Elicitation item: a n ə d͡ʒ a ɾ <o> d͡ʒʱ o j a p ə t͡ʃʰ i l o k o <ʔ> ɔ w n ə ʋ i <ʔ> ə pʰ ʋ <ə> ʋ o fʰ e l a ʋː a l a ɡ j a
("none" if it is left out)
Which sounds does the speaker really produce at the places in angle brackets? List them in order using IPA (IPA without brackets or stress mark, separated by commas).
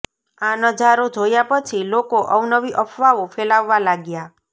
o, ʔ, ʔ, a